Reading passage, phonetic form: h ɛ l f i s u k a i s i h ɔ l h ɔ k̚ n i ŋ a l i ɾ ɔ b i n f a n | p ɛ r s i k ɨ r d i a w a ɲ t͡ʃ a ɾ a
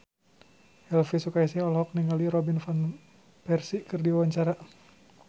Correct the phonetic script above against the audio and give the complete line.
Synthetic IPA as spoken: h ɛ l f i s u k a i s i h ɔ l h ɔ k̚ n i ŋ a l i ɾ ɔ b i n f a n | p ɛ r s i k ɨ r d i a w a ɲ t͡ʃ a ɾ a